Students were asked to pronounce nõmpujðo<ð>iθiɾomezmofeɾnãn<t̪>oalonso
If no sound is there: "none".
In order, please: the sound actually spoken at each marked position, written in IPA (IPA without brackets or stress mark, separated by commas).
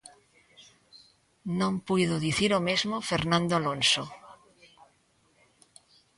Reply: ð, d̪